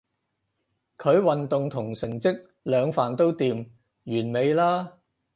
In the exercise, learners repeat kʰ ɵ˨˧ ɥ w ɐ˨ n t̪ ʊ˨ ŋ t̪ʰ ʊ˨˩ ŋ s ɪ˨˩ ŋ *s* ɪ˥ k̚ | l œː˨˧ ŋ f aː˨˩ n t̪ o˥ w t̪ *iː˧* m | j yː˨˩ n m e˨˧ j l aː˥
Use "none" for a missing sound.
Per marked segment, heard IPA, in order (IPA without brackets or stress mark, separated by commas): t͡s, iː˧